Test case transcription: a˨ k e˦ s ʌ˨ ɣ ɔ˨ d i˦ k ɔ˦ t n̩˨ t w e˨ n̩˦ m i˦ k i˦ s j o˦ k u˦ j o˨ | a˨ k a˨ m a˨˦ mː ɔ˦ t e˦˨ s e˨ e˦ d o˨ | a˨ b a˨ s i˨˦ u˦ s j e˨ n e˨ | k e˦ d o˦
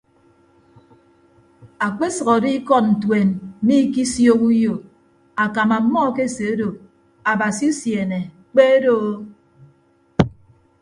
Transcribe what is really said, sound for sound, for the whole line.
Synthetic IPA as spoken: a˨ k͡p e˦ s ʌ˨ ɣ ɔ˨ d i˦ k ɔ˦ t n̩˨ t w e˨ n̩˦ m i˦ k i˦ s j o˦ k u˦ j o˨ | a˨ k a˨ m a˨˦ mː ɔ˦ k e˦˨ s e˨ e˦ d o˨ | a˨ b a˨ s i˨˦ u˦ s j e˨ n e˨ | k͡p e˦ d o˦